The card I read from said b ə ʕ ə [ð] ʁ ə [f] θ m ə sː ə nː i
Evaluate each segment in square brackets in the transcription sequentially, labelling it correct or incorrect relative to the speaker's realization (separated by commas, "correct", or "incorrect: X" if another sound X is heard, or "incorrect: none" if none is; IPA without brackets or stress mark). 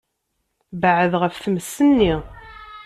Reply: correct, correct